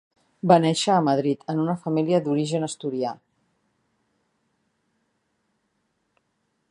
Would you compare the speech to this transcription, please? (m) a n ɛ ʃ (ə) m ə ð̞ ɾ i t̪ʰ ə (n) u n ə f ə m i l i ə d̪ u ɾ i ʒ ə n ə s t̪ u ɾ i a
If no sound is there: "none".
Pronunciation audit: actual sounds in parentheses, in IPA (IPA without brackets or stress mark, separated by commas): b, əː, n